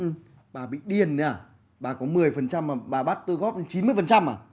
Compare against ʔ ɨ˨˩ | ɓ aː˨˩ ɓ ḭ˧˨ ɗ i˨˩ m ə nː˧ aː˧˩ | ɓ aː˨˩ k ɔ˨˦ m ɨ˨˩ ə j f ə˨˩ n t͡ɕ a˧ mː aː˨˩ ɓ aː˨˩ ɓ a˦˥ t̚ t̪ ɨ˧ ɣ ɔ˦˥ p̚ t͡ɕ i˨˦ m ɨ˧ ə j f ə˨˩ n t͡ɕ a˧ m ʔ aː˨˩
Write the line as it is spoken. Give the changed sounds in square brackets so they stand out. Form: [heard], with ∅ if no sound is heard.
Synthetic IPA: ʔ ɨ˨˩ | ɓ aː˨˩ ɓ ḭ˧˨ ɗ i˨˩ [∅] ə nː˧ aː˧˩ | ɓ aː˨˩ k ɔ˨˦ m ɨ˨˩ ə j f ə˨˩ n t͡ɕ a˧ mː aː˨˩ ɓ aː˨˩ ɓ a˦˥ t̚ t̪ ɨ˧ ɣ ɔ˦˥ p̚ t͡ɕ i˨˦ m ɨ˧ ə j f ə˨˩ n t͡ɕ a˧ m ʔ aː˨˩